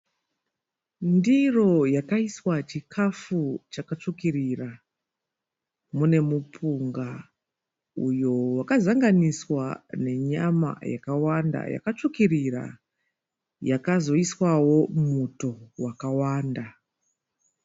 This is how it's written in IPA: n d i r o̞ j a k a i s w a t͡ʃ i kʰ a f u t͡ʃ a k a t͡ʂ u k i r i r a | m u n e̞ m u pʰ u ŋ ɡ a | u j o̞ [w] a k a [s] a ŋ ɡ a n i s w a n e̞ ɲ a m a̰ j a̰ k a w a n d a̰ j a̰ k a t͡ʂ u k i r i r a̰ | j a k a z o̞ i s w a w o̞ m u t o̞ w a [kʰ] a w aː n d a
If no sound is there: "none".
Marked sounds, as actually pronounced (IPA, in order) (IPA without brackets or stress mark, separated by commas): w, z, k